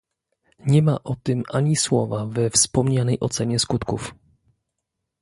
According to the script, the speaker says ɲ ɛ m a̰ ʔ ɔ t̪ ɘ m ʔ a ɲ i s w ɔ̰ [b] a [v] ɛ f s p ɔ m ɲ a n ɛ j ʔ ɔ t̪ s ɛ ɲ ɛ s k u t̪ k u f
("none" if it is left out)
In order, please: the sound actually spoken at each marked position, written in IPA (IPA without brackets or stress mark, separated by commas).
v, v